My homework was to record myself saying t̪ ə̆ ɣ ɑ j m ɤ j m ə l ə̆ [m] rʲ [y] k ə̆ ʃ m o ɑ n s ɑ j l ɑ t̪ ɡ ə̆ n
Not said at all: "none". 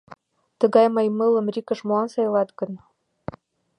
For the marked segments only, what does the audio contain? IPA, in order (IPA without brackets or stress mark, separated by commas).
m, i